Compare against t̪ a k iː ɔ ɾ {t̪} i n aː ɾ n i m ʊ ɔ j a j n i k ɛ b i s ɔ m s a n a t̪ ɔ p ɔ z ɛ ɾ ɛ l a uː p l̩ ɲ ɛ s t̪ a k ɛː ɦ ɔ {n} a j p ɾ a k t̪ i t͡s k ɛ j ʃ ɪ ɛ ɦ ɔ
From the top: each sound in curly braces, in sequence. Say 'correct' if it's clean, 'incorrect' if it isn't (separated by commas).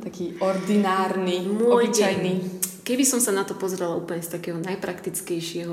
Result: incorrect, correct